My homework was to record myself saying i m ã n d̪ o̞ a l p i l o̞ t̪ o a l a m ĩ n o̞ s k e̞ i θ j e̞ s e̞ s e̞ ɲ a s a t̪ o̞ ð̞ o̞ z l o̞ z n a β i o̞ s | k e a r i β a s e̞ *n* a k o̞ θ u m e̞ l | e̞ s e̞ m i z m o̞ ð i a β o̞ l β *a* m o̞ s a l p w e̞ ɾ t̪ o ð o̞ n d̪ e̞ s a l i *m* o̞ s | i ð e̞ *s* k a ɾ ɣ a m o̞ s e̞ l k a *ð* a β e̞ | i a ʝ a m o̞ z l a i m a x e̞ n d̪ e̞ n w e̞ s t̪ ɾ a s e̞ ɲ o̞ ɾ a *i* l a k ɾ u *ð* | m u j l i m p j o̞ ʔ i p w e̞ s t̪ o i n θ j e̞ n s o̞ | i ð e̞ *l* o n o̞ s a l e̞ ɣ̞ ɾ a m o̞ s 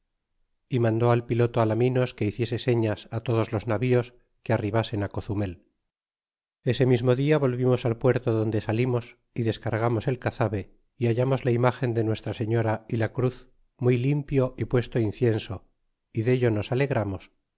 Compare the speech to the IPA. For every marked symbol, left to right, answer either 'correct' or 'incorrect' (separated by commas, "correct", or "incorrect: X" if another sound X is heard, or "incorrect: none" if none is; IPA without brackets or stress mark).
correct, incorrect: i, correct, correct, incorrect: θ, correct, incorrect: θ, incorrect: ʎ